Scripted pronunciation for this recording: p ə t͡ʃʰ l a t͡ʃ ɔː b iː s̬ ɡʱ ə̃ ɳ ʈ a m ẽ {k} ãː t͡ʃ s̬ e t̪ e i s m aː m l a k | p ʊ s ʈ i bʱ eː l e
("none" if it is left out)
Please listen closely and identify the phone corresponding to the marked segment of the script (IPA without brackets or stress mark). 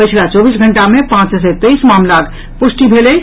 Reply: p